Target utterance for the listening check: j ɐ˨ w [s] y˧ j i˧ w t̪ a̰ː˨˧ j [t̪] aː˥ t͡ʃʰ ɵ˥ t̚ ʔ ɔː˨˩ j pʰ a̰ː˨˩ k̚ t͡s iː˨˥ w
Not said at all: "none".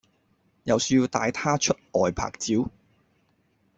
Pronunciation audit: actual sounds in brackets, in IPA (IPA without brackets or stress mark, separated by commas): s, t̪ʰ